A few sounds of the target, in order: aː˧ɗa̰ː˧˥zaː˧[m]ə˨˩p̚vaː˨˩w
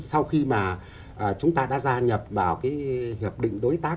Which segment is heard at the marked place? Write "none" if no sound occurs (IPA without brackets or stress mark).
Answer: ɲ